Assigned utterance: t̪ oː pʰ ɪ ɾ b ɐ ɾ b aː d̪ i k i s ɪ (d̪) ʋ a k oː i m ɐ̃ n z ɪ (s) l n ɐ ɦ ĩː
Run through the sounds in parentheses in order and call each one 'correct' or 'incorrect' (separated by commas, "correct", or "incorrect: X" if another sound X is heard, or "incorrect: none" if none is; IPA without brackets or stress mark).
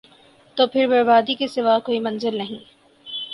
incorrect: none, incorrect: none